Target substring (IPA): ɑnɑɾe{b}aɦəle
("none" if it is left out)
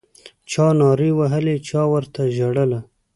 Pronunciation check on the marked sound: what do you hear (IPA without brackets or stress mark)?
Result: w